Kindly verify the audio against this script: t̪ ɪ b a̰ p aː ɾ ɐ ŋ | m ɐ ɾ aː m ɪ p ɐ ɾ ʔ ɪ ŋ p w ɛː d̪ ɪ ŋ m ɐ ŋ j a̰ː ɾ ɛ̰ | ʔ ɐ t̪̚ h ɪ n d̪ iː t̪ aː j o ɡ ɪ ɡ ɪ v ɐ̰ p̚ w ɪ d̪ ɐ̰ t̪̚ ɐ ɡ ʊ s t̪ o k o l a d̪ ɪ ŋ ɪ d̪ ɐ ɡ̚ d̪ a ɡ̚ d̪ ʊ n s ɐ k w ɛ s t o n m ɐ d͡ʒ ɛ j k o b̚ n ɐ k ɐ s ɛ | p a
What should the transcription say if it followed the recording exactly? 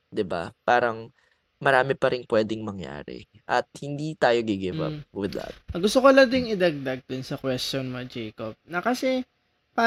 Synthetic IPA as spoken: d̪ ɪ b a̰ p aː ɾ ɐ ŋ | m ɐ ɾ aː m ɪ p ɐ ɾ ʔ ɪ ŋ p w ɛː d̪ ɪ ŋ m ɐ ŋ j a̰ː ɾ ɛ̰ | ʔ ɐ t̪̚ h ɪ n d̪ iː t̪ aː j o ɡ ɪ ɡ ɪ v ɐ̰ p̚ w ɪ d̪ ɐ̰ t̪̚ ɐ ɡ ʊ s t̪ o k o l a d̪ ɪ ŋ ɪ d̪ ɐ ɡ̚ d̪ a ɡ̚ d̪ ʊ n s ɐ k w ɛ s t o n m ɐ d͡ʒ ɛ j k o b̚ n ɐ k ɐ s ɛ | p a